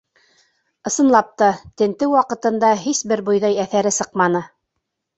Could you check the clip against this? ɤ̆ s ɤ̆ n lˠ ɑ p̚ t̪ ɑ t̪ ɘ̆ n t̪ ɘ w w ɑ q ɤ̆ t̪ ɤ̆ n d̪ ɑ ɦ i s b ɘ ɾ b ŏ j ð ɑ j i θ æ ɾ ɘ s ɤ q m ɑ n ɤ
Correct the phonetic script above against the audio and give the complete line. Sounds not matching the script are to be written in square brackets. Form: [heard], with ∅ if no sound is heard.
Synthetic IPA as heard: ɤ̆ s ɤ̆ n lˠ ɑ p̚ t̪ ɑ t̪ ɘ̆ n t̪ ɘ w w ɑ q ɤ̆ t̪ ɤ̆ n d̪ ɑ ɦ i s b ɘ ɾ b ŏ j ð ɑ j [æ] θ æ ɾ ɘ s ɤ q m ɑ n ɤ